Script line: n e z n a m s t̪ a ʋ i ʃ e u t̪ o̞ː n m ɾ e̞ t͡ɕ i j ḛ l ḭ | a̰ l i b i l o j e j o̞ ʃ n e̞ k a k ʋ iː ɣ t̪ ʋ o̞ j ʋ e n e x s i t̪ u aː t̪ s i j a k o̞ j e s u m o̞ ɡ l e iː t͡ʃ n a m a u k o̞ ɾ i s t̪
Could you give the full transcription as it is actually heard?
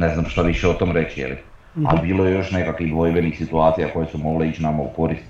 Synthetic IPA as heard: n e z n a m ʃ t̪ a ʋ i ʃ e o t̪ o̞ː m ɾ e̞ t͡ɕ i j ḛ l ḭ | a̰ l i b iː l o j e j o̞ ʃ n e̞ k a k ʋ i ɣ d̪ ʋ o̞ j ʋ e n i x s i t̪ u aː t̪ s i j a k o̞ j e s u m o̞ ɡ l e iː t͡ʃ n a m a u k o̞ ɾ i s t̪